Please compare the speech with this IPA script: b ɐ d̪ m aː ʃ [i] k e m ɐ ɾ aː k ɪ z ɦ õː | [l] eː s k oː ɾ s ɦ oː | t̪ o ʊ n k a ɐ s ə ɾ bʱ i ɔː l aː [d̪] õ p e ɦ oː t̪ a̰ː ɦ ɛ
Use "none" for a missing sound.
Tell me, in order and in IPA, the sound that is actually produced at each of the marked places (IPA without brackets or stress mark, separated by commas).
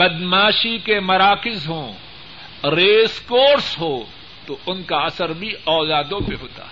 i, ɾ, d̪